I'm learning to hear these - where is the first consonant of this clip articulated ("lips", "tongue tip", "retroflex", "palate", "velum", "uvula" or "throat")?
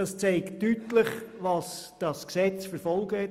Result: tongue tip